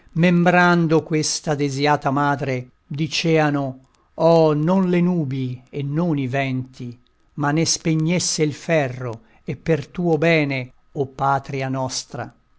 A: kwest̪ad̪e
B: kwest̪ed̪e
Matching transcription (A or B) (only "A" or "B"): A